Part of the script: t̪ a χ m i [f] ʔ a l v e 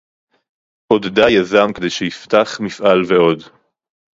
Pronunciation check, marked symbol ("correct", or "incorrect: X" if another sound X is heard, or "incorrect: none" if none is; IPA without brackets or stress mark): correct